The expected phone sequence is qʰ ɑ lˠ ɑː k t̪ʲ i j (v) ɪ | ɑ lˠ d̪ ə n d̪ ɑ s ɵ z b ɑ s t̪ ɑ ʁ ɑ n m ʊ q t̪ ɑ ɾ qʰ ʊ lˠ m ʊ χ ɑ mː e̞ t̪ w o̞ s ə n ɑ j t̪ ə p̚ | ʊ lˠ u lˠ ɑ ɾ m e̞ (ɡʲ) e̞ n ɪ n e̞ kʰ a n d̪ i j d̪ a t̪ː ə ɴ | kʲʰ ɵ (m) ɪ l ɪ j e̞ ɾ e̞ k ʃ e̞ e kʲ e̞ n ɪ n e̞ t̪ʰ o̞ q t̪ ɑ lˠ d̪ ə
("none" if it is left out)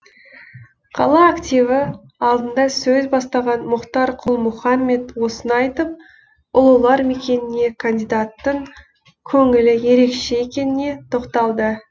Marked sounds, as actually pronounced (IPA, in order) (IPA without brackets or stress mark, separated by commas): v, kʲ, ŋ